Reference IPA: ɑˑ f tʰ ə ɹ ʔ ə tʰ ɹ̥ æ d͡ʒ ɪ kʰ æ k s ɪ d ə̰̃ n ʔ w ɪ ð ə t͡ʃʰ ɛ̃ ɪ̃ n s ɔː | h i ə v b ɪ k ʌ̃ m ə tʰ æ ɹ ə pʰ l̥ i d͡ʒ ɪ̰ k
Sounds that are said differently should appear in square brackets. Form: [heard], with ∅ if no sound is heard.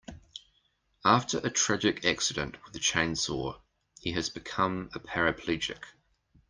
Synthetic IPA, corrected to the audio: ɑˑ f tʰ ə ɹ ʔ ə tʰ ɹ̥ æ d͡ʒ ɪ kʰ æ k s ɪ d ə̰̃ n ʔ w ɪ ð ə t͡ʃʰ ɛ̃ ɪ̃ n s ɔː | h i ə [z] b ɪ [kʰ] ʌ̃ m ə [pʰ] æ ɹ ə pʰ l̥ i d͡ʒ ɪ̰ k